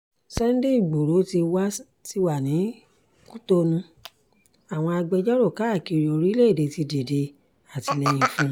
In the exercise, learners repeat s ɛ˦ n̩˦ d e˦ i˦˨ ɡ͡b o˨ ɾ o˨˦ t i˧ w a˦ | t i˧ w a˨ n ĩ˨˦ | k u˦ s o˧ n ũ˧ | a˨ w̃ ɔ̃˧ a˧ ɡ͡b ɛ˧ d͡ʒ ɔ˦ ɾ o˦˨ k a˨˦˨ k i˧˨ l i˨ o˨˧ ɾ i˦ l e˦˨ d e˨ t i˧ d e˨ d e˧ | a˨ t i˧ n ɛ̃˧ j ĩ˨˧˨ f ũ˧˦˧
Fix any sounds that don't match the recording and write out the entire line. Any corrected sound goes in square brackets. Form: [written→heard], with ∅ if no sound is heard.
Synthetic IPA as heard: s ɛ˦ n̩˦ d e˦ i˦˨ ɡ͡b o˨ ɾ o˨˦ t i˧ w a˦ | t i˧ w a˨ n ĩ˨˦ | k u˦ [s→t] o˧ n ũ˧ | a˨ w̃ ɔ̃˧ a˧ ɡ͡b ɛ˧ d͡ʒ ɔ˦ ɾ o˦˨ k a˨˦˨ k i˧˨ [l→ɾ] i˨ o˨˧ ɾ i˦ l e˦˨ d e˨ t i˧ d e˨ d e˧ | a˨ t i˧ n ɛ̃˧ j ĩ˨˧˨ f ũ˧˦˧